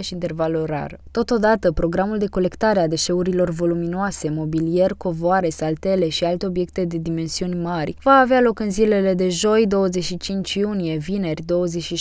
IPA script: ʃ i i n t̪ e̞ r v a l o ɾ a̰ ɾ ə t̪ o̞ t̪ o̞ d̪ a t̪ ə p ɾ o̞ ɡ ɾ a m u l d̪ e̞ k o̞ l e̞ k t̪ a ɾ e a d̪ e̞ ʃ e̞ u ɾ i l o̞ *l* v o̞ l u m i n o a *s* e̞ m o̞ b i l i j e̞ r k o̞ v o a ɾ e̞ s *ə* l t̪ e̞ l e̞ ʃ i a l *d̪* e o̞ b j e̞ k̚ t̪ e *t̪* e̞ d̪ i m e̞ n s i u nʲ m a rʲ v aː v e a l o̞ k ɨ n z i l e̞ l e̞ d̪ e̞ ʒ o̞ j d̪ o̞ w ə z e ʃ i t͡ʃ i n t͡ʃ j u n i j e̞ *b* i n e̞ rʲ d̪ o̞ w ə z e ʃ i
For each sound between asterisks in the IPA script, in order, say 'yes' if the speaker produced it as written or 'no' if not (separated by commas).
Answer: no, yes, no, no, no, no